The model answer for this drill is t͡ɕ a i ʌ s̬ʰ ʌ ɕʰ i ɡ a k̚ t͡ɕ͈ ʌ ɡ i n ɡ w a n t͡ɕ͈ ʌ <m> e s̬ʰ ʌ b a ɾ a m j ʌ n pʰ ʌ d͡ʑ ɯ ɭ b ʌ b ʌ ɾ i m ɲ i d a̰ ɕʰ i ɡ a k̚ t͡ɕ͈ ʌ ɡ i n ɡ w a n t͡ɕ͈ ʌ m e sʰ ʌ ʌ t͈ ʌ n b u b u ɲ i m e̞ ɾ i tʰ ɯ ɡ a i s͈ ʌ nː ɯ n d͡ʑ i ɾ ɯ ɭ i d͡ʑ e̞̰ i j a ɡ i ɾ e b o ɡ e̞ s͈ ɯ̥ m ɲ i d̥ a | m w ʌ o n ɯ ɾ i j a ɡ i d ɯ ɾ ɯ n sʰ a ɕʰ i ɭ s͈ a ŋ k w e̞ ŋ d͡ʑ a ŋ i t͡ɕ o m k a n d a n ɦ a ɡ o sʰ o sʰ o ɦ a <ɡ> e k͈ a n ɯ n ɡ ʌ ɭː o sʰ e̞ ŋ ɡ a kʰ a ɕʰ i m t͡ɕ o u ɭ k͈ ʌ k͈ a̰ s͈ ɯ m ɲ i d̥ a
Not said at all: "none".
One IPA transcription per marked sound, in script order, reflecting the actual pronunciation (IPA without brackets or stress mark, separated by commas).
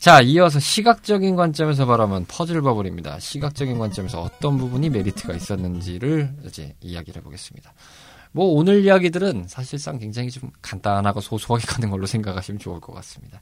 m, ɡ